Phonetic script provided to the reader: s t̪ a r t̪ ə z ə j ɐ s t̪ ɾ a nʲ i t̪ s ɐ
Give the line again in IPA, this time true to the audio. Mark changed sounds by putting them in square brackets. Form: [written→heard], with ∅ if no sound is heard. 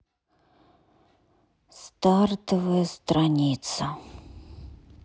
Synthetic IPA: s t̪ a r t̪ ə [z→v] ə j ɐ s t̪ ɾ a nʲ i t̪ s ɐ